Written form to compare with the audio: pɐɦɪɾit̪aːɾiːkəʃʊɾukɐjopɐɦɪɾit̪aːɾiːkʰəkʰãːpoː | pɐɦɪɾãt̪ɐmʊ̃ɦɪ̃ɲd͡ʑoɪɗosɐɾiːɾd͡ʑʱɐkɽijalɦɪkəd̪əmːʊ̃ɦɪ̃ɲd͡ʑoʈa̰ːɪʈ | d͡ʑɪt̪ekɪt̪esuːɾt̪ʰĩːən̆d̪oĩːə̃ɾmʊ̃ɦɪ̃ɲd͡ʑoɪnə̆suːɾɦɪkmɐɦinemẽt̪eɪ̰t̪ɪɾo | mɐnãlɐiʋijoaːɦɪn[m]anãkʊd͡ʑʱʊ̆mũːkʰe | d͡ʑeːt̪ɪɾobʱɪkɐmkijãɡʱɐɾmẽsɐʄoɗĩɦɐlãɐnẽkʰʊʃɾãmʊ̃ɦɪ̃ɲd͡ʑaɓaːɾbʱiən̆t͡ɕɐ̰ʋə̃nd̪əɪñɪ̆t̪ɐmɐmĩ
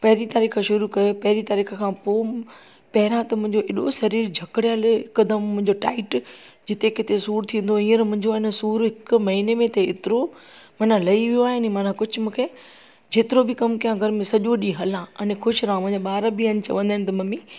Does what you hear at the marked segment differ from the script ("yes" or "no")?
no